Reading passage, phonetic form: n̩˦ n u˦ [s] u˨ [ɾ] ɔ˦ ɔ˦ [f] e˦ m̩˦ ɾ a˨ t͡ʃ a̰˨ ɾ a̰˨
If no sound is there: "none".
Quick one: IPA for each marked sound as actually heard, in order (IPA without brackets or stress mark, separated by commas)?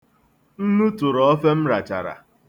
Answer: t, ɾ, f